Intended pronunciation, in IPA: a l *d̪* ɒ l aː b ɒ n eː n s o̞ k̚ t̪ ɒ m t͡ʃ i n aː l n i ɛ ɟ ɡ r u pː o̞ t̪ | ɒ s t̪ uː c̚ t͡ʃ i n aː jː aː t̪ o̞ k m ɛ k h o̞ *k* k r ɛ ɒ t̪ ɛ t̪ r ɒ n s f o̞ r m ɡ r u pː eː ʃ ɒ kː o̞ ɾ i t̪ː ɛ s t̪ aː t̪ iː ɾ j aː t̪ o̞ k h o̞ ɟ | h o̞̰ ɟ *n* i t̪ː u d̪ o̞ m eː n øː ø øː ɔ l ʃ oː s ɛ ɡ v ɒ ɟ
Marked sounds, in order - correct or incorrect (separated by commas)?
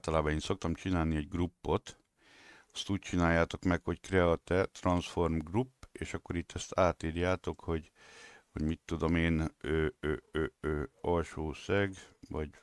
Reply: incorrect, incorrect, incorrect